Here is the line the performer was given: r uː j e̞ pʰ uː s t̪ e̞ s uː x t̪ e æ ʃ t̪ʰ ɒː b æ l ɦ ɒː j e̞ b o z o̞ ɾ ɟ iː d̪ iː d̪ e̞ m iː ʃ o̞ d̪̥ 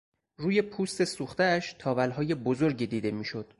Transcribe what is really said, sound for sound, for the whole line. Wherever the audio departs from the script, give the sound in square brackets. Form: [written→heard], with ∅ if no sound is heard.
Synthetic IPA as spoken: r uː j e̞ pʰ uː s t̪ e̞ s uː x t̪ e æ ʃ t̪ʰ ɒː [b→v] æ l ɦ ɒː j e̞ b o z o̞ ɾ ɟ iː d̪ iː d̪ e̞ m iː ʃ o̞ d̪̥